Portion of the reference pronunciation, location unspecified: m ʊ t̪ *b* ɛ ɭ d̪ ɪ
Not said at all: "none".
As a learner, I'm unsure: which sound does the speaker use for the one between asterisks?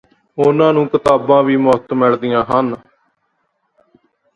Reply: m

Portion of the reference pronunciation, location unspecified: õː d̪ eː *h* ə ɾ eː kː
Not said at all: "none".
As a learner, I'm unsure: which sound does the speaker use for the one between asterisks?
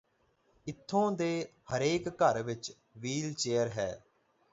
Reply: h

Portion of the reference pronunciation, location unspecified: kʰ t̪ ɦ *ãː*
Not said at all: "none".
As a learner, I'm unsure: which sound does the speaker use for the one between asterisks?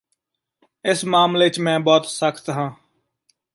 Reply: ãː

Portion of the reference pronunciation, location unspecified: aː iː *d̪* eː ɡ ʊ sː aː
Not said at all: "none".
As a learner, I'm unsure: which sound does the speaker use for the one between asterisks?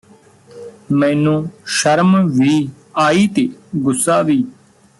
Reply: t̪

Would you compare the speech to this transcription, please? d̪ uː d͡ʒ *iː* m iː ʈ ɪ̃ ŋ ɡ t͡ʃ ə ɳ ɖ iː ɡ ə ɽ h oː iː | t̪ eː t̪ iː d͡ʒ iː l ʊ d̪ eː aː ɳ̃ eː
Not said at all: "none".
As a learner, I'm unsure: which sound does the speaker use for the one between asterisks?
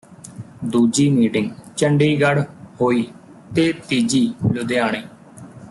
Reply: iː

